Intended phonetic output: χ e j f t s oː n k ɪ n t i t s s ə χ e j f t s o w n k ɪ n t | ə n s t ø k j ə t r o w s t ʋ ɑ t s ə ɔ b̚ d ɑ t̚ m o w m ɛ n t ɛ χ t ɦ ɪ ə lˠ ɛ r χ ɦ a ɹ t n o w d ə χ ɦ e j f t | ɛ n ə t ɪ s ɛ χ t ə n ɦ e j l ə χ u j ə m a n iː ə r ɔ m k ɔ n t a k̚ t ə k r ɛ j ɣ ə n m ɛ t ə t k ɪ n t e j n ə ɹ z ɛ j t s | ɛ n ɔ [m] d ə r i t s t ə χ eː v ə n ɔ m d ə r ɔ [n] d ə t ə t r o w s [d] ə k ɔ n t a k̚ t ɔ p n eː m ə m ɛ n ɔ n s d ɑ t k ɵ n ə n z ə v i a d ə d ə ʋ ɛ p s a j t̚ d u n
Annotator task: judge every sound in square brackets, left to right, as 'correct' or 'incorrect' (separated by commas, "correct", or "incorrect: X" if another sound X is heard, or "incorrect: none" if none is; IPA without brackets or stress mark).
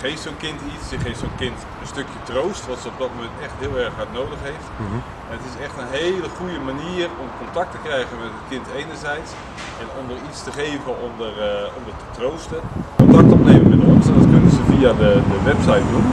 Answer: correct, incorrect: m, incorrect: t